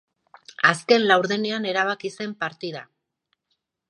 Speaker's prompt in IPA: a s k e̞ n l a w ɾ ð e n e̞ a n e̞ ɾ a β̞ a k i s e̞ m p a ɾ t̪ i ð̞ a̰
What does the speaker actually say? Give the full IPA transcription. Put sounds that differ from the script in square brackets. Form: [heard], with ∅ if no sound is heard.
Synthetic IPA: a s k e̞ n l a w ɾ ð e n e̞ a n e̞ ɾ a β̞ a k i s e̞ m p a ɾ t̪ i ð̞ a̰